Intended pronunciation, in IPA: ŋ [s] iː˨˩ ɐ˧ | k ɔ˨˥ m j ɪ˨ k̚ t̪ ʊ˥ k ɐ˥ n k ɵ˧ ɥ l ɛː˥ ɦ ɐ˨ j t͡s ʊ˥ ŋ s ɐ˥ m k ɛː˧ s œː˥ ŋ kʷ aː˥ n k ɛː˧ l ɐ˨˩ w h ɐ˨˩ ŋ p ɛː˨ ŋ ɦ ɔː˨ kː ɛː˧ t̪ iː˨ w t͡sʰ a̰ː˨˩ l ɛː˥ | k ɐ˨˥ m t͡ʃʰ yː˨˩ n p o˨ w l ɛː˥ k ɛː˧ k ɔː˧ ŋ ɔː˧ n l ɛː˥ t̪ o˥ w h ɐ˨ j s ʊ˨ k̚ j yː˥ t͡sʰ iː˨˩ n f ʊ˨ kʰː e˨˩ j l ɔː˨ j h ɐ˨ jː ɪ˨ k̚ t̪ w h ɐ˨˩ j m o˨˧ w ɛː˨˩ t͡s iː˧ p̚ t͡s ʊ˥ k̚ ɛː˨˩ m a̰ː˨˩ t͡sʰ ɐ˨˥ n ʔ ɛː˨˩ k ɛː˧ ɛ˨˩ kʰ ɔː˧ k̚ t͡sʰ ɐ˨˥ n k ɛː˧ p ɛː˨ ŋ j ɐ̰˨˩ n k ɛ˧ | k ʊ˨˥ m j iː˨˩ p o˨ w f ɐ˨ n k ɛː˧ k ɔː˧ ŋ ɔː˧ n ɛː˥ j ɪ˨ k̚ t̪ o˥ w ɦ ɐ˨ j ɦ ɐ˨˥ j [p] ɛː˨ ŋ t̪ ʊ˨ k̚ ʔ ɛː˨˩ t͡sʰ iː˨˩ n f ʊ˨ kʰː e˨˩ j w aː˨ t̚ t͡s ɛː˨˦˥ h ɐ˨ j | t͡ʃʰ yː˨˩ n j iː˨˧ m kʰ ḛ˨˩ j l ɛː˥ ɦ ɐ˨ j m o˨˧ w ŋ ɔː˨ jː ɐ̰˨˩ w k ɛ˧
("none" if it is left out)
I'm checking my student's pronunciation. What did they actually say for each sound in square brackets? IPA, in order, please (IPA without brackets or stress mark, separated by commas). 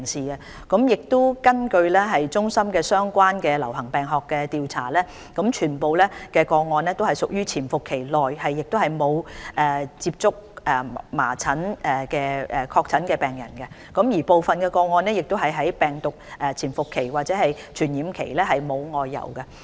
s, p